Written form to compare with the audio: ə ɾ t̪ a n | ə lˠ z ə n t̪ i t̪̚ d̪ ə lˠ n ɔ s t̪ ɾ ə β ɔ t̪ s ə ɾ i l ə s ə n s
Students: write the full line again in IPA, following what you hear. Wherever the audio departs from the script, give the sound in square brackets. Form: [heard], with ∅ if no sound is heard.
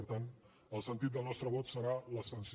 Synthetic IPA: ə ɾ t̪ a n | ə lˠ [s] ə n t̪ i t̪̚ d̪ ə lˠ n ɔ s t̪ ɾ ə β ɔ t̪ s ə ɾ [a] l ə s ə n s